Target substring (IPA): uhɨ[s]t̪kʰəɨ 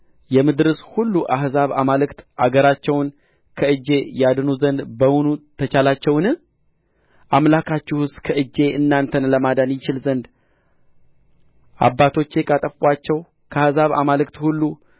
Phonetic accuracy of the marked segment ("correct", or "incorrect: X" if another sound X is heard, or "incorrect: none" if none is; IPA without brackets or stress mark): correct